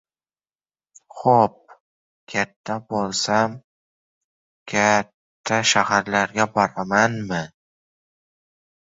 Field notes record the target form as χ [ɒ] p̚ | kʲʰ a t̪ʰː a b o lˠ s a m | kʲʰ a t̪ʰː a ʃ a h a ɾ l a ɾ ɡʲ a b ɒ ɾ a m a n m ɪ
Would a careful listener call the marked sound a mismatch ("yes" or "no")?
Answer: yes